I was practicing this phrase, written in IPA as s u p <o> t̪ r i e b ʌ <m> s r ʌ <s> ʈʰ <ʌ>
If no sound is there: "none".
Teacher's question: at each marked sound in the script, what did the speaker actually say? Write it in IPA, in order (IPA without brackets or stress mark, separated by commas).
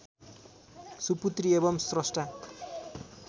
u, m, s, a